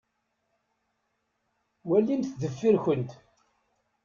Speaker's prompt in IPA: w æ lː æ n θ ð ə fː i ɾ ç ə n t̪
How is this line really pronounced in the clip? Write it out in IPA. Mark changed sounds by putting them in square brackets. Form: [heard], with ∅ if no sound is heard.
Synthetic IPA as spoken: w æ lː [i] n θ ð ə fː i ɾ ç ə n t̪